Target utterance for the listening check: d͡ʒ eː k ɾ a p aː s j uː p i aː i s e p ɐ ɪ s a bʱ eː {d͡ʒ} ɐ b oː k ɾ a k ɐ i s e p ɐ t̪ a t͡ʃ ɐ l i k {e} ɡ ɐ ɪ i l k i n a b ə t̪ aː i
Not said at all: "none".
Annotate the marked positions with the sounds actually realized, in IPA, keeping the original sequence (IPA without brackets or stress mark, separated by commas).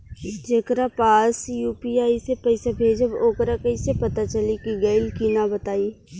d͡ʒ, i